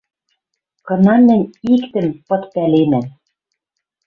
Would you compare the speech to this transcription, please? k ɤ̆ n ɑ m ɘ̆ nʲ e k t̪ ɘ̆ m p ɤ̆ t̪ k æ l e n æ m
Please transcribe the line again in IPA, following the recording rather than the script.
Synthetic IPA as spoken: k ɤ̆ n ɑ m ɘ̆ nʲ i k t̪ ɘ̆ m p ɤ̆ t̪ p æ l e n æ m